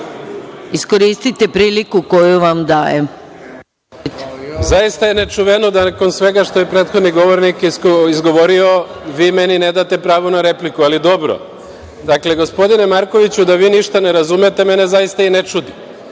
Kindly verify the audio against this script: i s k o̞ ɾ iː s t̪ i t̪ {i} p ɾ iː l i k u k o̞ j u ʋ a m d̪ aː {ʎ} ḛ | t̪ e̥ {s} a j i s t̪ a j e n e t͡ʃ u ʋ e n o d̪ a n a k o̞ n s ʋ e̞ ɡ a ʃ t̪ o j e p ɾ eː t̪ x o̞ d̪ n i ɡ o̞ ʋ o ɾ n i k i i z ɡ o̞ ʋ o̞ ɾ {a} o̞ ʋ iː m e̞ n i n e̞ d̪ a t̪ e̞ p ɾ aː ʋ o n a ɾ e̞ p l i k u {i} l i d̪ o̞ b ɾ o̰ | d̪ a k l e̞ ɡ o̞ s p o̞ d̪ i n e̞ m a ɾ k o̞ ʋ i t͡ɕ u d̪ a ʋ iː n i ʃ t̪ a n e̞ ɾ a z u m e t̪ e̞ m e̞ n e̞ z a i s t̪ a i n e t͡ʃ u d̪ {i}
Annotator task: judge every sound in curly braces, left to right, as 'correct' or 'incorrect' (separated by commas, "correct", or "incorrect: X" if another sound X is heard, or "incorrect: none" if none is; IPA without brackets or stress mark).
incorrect: e, incorrect: j, incorrect: z, incorrect: i, incorrect: a, correct